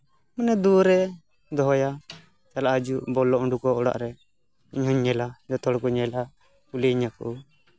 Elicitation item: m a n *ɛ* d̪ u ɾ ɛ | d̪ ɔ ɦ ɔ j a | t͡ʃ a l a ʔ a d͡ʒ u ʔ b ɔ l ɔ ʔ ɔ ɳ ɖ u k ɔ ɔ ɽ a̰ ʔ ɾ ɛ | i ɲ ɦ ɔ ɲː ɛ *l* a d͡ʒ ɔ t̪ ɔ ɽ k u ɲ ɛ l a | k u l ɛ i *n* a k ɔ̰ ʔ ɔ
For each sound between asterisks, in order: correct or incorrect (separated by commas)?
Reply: correct, correct, incorrect